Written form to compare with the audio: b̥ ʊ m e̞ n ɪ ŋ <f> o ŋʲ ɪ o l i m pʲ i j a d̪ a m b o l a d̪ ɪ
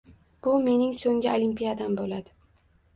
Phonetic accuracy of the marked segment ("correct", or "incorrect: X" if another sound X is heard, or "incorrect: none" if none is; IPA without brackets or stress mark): incorrect: s